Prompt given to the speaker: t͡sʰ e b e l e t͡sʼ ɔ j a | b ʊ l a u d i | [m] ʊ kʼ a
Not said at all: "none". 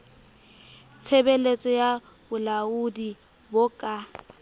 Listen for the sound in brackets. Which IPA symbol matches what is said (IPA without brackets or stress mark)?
b